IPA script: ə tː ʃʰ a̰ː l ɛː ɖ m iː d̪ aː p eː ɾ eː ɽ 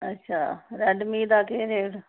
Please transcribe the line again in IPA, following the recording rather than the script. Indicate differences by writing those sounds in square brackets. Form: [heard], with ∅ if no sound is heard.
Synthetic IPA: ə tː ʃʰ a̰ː [ɾ] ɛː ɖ m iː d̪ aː [k] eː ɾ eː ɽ